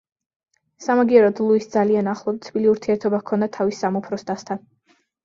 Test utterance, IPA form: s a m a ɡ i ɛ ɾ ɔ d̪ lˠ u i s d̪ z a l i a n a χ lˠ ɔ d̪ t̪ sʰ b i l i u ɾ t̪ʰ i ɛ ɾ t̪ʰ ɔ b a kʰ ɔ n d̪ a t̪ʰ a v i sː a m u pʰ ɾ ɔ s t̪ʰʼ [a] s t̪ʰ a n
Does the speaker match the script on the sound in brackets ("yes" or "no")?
yes